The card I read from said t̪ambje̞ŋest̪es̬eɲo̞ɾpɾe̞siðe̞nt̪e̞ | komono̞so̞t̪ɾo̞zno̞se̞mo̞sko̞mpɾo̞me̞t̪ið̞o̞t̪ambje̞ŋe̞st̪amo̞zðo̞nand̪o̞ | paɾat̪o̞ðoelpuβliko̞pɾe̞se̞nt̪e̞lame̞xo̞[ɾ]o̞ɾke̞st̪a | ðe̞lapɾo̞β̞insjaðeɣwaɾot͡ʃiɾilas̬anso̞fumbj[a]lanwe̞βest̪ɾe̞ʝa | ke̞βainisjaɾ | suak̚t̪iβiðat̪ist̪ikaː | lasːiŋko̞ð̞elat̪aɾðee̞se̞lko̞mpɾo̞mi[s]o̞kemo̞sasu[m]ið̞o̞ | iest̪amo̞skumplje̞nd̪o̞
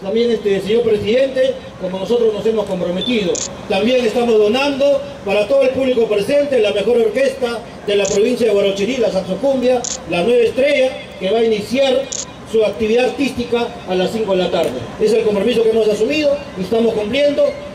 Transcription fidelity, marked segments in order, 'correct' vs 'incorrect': correct, correct, correct, correct

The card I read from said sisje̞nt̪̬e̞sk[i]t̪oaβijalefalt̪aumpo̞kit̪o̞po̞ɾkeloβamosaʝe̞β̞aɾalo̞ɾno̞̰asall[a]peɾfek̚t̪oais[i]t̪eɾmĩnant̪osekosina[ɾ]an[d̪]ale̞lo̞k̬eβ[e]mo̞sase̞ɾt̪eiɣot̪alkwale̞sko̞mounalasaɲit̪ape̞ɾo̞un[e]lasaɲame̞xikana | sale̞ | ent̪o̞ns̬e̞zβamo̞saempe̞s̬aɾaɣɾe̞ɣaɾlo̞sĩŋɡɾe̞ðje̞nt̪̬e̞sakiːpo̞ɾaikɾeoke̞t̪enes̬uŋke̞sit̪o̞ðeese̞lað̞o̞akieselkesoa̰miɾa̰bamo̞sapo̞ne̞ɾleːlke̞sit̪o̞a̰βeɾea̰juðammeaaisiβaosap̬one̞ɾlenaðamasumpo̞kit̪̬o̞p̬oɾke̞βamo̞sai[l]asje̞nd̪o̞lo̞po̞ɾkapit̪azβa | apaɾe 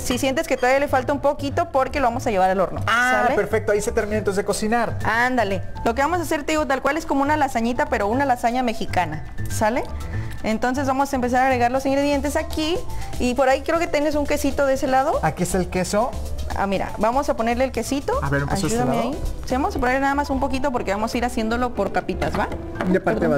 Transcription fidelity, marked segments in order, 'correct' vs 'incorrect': incorrect: e, incorrect: e, incorrect: e, correct, correct, incorrect: a, incorrect: a, incorrect: ɾ

